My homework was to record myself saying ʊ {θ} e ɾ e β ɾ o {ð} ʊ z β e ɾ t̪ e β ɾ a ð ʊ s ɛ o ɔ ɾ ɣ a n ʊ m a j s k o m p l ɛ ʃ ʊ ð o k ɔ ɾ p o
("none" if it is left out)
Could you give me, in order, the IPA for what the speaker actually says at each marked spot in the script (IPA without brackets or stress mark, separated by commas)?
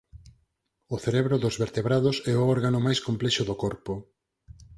θ, ð